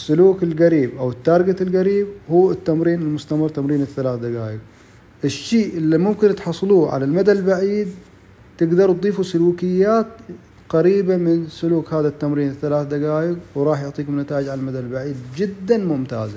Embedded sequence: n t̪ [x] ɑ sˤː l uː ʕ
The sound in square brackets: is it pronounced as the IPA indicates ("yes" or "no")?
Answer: no